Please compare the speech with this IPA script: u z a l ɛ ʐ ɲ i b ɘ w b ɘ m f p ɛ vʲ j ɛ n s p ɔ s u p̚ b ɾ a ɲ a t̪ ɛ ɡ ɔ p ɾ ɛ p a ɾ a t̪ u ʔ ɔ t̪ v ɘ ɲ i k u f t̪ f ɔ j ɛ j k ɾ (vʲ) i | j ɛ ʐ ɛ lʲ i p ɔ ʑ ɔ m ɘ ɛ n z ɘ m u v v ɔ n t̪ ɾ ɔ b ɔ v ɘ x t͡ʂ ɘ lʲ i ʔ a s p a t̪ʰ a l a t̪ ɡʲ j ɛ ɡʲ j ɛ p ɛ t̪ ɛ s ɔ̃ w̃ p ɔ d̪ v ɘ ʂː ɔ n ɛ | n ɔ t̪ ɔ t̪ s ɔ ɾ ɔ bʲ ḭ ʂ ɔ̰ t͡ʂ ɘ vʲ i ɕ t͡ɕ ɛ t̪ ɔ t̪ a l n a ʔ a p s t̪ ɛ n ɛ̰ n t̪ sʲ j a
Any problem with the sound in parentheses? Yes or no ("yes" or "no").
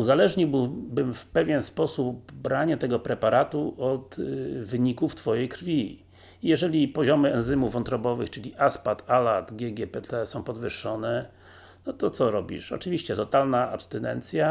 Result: yes